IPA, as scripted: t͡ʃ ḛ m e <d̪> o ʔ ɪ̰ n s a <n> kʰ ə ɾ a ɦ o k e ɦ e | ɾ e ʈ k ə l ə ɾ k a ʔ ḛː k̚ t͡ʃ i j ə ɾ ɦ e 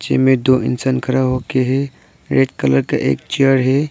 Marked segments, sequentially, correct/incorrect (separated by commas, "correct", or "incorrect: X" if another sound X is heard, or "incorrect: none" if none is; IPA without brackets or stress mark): correct, correct